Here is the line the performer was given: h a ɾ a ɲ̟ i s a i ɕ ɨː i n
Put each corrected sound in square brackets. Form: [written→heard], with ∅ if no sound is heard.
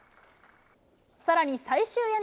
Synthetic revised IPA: [h→s] a ɾ a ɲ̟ i s a i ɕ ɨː [i→e] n